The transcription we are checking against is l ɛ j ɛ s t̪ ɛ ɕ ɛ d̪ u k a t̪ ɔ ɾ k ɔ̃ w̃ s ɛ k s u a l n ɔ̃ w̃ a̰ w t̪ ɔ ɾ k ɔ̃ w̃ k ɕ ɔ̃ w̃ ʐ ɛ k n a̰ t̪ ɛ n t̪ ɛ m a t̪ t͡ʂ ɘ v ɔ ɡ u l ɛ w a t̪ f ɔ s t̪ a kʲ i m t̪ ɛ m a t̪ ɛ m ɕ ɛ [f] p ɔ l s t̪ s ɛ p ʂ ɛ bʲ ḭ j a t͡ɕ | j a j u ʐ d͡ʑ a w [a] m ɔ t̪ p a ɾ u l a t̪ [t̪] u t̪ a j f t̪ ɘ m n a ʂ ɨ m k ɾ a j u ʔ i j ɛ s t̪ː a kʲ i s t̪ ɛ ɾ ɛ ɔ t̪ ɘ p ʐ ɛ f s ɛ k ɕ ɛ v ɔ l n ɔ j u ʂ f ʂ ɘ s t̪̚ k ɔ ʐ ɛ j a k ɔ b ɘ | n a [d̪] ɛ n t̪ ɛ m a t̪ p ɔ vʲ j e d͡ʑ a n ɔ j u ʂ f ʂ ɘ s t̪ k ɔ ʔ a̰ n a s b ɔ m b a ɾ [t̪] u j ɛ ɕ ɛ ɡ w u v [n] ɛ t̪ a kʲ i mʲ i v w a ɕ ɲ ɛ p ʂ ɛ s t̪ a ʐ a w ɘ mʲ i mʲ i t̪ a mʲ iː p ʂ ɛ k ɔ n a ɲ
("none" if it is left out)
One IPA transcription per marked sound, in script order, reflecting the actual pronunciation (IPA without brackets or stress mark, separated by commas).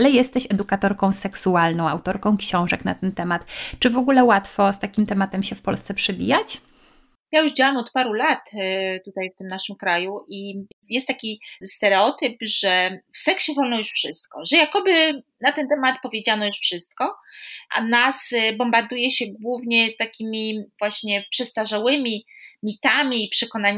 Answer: f, a, t̪, t̪, d̪, ɲ